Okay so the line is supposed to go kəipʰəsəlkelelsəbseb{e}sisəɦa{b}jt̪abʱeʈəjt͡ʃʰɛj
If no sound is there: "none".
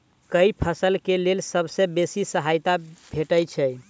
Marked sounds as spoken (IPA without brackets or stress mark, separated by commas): e, none